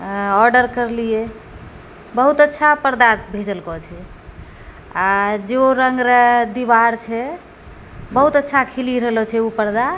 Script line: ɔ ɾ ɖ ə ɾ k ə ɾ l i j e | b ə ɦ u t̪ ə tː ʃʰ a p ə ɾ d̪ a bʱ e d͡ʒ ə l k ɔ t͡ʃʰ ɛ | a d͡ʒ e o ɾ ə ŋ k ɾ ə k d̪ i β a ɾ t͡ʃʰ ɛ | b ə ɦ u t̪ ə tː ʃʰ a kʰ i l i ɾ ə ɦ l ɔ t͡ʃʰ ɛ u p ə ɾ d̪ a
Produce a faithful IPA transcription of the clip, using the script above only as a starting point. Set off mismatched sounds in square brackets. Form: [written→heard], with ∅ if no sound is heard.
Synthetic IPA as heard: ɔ ɾ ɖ ə ɾ k ə ɾ l i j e | b ə ɦ u t̪ ə tː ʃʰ a p ə ɾ d̪ a bʱ e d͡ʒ ə l k ɔ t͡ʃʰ ɛ | a d͡ʒ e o ɾ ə ŋ [k→ɡ] ɾ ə [k→∅] d̪ i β a ɾ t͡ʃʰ ɛ | b ə ɦ u t̪ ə tː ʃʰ a kʰ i l i ɾ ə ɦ l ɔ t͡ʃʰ ɛ u p ə ɾ d̪ a